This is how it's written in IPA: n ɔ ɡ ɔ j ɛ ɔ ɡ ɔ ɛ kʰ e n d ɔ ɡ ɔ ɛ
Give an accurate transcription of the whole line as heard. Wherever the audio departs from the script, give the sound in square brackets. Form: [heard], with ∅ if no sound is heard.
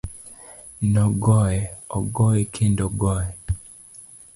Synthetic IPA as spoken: n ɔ ɡ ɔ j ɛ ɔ ɡ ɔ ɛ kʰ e n d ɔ ɡ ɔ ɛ